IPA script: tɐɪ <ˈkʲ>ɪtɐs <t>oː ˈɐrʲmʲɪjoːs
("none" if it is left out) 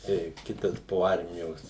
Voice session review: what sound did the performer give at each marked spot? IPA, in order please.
kʲ, p

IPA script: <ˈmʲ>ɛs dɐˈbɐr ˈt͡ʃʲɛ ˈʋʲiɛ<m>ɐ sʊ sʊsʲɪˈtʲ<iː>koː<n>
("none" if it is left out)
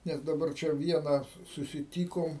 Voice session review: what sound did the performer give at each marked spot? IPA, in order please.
nʲ, n, iː, m

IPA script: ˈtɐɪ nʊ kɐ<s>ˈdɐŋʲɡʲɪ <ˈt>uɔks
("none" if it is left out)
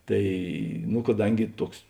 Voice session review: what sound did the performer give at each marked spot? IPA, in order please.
none, t

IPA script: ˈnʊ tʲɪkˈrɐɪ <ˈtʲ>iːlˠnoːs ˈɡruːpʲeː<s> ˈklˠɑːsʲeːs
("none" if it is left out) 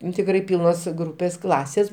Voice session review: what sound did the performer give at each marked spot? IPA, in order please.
pʲ, s

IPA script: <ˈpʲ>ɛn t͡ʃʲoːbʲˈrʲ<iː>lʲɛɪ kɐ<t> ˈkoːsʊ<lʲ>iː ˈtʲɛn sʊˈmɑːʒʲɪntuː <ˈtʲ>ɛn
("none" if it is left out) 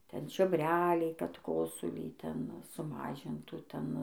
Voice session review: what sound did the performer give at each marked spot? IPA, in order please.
tʲ, æː, t, lʲ, tʲ

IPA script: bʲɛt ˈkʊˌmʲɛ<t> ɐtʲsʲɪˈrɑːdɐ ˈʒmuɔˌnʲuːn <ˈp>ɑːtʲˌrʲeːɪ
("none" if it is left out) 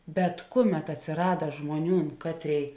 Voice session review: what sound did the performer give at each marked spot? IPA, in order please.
t, k

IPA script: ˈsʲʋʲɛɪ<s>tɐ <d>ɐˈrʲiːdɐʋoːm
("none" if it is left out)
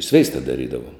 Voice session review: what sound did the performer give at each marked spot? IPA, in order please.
s, d

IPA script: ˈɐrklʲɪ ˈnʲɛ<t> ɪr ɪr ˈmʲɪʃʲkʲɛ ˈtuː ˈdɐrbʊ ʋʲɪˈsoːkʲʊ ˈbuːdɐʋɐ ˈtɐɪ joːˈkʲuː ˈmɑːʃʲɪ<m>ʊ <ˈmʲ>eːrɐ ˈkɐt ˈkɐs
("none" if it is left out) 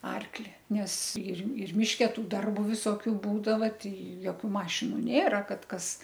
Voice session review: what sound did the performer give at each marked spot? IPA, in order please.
s, n, nʲ

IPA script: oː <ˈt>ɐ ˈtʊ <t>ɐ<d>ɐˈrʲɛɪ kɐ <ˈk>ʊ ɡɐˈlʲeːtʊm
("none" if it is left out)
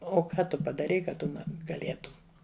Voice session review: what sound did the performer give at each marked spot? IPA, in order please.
k, p, d, t

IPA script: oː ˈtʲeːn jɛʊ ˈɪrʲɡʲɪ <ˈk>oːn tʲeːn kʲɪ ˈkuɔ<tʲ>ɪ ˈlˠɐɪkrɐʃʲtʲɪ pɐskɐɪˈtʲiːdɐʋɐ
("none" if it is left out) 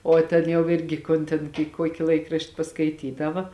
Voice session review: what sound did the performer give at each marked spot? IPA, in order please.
k, kʲ

